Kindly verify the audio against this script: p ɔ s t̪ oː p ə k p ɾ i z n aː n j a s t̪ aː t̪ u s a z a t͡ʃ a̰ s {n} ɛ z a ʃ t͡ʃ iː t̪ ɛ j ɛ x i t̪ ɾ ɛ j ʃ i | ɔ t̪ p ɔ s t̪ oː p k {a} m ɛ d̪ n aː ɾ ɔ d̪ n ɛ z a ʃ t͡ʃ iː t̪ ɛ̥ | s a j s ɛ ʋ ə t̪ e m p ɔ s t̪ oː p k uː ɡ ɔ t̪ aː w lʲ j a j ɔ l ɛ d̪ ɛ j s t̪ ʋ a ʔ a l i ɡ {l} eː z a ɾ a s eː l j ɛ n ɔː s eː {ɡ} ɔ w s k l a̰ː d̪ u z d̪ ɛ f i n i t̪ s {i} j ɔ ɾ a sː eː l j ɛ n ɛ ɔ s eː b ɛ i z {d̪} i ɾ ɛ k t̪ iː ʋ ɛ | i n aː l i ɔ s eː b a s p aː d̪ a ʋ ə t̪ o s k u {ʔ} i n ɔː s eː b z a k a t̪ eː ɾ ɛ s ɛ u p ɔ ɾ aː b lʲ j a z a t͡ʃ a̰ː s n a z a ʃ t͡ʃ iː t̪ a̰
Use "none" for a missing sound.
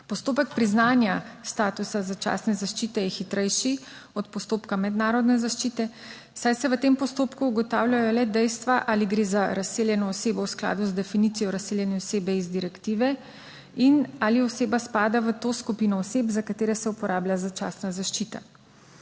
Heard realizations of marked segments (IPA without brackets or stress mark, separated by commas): n, a, ɾ, b, i, d̪, p